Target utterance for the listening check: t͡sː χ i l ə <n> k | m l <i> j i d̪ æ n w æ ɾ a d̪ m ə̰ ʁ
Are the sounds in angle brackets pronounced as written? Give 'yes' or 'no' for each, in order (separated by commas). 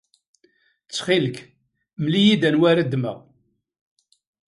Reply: no, yes